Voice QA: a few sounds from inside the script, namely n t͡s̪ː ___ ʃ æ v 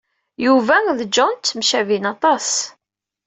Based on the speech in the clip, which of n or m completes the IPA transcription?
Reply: m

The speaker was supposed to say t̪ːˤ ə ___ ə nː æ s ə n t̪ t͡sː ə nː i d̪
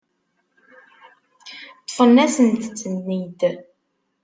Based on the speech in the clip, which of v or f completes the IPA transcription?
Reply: f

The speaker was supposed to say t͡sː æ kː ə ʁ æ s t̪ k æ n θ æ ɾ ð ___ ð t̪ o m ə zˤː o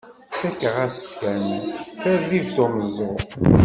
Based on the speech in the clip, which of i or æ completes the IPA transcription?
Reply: i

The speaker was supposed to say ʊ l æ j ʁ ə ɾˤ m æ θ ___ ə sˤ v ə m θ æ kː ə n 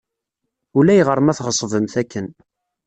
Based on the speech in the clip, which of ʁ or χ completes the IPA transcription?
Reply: ʁ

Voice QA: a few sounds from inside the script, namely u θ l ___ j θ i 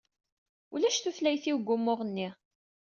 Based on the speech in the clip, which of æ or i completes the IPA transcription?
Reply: æ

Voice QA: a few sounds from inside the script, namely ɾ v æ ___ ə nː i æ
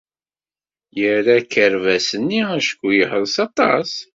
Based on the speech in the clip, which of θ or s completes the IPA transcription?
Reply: s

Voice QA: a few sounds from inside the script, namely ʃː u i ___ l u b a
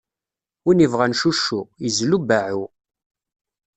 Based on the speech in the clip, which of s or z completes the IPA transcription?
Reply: z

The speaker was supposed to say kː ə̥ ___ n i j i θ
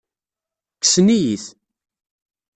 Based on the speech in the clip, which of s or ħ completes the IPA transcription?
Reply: s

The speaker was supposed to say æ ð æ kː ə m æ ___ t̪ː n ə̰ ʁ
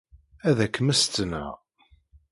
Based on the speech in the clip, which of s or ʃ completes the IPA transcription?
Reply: s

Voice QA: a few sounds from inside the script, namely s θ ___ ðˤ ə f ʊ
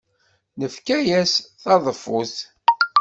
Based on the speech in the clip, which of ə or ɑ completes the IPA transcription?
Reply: ɑ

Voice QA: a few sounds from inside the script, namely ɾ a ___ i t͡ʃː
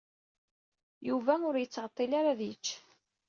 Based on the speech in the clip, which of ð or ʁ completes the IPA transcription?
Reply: ð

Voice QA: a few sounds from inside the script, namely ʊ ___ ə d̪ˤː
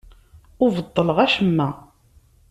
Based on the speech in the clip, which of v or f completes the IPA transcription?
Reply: v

